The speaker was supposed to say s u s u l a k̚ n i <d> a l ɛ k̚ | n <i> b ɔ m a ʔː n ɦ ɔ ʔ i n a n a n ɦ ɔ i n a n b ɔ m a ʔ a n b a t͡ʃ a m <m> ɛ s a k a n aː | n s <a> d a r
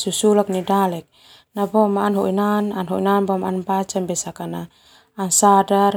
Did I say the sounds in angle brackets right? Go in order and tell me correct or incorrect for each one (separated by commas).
correct, incorrect, incorrect, correct